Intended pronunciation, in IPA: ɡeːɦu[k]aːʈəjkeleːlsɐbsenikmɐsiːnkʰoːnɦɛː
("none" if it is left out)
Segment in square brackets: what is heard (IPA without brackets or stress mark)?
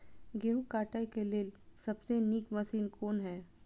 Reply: k